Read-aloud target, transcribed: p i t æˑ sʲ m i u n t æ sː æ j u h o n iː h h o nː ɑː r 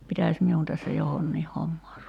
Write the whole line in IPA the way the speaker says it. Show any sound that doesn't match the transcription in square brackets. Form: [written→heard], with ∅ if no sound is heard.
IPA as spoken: p i t æˑ sʲ m i u n t æ sː æ j [u→o] h o [n→nː] iː h h o [nː→mː] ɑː r